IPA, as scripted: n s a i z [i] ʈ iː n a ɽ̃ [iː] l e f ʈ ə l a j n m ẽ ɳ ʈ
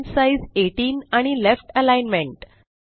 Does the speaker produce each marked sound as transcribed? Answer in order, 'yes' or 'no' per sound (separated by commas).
no, no